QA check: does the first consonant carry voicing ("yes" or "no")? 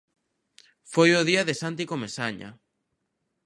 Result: no